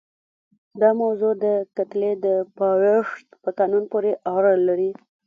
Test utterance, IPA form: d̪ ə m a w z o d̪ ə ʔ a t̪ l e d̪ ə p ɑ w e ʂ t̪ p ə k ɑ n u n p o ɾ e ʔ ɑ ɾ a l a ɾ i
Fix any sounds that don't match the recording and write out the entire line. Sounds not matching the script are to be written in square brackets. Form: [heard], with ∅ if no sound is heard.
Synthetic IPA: d̪ [ɑ] m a w z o d̪ ə [k] a t̪ l e d̪ ə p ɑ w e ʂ t̪ p ə k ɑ n u n p o ɾ e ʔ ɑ ɾ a l a ɾ i